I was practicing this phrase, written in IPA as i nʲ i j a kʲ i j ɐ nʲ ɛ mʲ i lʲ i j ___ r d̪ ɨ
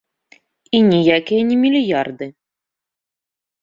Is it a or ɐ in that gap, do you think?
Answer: a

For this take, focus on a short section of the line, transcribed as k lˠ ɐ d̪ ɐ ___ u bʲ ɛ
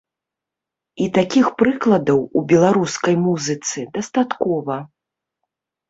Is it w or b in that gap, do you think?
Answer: w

